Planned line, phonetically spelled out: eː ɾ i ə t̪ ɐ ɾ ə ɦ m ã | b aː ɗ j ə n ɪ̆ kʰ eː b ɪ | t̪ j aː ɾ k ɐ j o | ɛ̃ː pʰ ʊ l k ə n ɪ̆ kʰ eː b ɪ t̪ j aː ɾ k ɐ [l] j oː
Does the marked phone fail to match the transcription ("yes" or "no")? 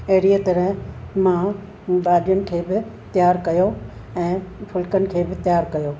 yes